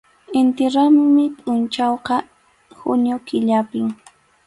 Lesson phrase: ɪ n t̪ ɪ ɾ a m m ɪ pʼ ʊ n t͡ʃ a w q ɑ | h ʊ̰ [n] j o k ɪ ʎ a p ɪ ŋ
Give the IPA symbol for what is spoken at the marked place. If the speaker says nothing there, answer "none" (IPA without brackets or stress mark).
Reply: n